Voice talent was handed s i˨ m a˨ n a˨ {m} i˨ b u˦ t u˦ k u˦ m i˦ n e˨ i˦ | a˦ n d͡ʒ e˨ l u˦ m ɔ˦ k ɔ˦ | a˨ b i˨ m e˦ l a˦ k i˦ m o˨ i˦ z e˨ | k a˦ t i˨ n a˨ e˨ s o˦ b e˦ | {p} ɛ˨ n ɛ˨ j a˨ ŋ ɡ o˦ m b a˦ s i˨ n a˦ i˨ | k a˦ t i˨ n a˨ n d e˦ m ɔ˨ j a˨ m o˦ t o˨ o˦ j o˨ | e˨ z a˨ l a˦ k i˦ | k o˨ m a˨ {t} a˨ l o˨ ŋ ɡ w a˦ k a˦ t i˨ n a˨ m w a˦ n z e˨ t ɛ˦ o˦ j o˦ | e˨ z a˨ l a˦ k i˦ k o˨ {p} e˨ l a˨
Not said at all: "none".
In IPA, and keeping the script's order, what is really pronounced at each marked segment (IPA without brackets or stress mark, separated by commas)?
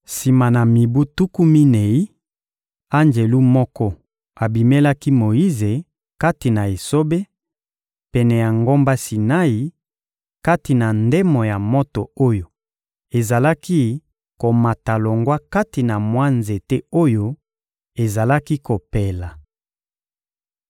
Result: m, p, t, p